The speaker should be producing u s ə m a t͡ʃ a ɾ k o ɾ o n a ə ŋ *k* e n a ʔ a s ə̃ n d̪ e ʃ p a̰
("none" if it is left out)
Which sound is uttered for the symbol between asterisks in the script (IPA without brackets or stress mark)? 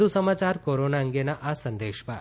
ɡ